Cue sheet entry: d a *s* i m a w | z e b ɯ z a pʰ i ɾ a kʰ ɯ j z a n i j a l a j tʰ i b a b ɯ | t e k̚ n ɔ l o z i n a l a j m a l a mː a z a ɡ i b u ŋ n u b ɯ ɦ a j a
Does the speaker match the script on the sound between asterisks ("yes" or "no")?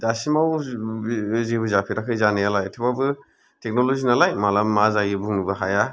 yes